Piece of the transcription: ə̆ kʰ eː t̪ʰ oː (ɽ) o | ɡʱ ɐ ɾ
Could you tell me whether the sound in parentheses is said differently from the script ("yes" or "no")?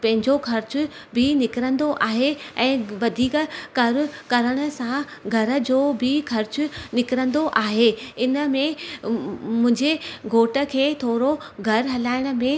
yes